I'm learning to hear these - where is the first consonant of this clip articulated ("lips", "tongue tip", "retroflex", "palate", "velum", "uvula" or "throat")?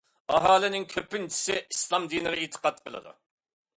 throat